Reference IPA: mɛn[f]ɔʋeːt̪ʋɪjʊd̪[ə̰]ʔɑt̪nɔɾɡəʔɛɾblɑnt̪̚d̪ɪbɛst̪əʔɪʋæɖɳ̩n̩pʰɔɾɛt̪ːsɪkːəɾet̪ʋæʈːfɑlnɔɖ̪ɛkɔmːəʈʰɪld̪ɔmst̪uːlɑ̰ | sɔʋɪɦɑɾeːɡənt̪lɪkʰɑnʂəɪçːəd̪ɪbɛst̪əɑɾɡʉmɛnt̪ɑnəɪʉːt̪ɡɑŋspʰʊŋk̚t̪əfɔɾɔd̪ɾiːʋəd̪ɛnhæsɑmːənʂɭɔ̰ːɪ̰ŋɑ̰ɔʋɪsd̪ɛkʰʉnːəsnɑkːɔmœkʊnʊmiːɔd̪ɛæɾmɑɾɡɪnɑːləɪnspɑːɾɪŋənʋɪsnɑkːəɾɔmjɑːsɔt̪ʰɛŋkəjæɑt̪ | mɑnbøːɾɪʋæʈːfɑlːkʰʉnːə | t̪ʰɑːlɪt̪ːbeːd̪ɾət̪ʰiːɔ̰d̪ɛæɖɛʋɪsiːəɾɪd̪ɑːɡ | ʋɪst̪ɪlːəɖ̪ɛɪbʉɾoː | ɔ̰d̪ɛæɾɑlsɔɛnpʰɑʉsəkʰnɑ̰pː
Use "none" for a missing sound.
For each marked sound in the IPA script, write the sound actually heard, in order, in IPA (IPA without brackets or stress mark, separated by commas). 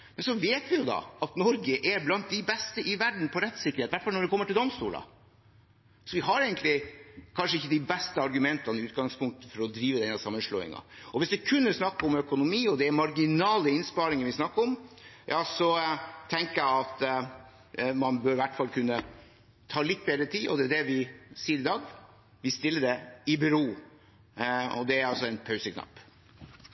s, ɑ̰